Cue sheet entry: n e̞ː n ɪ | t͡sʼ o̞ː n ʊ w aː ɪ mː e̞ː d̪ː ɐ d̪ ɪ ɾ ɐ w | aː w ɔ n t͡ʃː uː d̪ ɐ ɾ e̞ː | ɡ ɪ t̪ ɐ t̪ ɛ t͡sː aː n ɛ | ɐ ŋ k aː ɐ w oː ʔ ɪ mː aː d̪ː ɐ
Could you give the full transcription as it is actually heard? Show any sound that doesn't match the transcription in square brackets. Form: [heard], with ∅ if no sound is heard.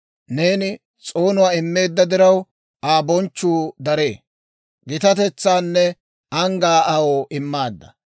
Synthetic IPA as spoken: n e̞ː n ɪ | t͡sʼ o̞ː n ʊ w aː ɪ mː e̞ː d̪ː ɐ d̪ ɪ ɾ ɐ w | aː [b] ɔ n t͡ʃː uː d̪ ɐ ɾ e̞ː | ɡ ɪ t̪ ɐ t̪ ɛ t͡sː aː [nː] ɛ | ɐ ŋ [ɡ] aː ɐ w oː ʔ ɪ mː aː d̪ː ɐ